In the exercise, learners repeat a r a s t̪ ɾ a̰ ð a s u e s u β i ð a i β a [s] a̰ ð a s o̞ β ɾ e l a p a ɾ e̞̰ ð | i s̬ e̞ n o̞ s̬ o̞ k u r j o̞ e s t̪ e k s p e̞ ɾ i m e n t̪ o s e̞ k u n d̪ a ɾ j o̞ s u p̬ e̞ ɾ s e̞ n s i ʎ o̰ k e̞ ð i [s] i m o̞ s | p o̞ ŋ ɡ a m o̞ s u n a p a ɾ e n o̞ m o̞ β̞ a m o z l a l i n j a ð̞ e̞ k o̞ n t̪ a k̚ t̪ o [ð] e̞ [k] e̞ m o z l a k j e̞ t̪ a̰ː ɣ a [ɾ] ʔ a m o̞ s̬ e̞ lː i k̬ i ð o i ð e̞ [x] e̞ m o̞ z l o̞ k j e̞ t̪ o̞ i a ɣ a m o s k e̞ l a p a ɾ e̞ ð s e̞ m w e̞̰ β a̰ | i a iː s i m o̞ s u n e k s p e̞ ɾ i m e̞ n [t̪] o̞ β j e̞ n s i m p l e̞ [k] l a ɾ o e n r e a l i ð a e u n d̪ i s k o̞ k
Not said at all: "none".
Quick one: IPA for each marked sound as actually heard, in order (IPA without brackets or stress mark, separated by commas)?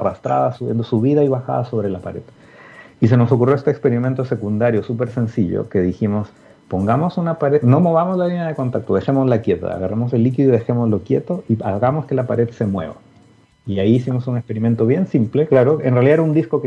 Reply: x, x, ð, x, r, x, t̪, k